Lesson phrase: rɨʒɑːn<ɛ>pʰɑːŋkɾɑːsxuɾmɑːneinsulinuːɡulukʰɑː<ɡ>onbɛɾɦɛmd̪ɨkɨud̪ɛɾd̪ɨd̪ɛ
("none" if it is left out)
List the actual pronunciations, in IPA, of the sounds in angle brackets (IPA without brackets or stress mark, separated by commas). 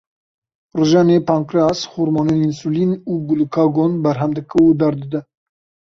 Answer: e, ɡ